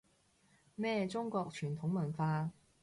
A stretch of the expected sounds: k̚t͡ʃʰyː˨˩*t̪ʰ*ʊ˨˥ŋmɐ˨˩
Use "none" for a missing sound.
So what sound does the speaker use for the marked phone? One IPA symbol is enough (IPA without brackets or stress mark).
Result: t̪ʰ